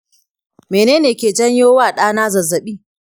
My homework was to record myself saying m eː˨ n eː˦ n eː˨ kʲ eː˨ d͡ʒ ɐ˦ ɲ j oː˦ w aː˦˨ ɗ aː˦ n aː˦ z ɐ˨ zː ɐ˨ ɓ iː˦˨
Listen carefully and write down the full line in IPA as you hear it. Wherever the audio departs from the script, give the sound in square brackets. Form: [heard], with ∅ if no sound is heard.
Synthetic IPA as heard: m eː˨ n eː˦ n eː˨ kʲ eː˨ d͡ʒ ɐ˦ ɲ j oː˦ w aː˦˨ ɗ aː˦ n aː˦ z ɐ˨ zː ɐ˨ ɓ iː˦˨